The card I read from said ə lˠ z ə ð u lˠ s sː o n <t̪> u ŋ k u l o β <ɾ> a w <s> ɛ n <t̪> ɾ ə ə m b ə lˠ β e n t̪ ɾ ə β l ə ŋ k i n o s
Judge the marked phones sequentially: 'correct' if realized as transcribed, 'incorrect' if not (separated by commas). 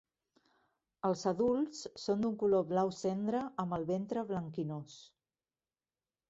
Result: incorrect, incorrect, correct, incorrect